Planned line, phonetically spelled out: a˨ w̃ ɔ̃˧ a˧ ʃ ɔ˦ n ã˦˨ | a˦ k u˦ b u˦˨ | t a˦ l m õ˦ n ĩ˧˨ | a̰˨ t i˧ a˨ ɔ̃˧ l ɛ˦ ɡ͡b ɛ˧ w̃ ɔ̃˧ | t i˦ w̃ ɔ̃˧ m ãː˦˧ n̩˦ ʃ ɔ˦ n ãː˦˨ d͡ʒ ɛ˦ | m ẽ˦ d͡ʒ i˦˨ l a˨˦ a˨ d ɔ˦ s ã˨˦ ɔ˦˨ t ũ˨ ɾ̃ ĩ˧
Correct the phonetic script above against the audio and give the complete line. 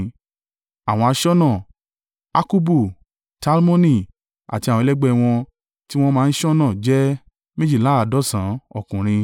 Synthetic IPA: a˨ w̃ ɔ̃˧ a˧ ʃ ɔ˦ n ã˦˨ | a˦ k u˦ b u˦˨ | t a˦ l m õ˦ n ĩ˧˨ | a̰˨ t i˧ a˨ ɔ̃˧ l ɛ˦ ɡ͡b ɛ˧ w̃ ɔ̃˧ | t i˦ w̃ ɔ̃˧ m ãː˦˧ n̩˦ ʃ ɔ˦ n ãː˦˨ d͡ʒ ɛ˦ | m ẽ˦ d͡ʒ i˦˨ l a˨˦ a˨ d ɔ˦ s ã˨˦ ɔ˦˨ k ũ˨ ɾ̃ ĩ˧